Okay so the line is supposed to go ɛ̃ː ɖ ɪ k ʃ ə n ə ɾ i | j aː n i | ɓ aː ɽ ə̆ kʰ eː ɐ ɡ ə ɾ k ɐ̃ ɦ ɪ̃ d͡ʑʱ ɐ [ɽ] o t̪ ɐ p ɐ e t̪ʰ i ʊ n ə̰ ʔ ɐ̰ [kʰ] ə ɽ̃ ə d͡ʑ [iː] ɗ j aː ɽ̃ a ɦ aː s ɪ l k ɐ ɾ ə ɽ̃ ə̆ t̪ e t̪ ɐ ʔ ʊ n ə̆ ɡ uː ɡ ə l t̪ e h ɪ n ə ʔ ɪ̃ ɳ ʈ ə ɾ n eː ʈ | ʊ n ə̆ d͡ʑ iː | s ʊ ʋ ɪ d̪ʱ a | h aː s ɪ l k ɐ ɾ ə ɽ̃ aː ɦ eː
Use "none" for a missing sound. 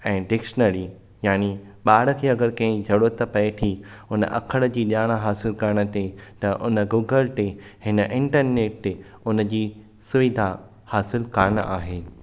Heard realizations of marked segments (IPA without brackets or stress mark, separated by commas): ɽ, kʰ, iː